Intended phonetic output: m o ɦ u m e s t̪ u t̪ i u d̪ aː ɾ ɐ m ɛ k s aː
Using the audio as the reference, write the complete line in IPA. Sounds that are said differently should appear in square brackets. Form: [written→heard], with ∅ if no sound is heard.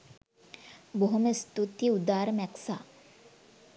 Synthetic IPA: [m→b] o ɦ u m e s t̪ u t̪ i u d̪ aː ɾ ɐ m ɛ k s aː